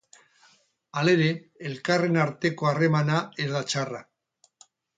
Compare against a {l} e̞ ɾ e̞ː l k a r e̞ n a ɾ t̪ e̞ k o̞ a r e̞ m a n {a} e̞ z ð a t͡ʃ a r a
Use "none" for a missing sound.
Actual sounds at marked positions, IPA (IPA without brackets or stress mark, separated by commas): l, a